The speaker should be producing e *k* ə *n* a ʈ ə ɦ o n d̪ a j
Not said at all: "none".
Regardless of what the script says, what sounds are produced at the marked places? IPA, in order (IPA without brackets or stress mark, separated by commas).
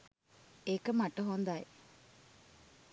k, m